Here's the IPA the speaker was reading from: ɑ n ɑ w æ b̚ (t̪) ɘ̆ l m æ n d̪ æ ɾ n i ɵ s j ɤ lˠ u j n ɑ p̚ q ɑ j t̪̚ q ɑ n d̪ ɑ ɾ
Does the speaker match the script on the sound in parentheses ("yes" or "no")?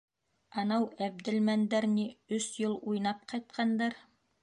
no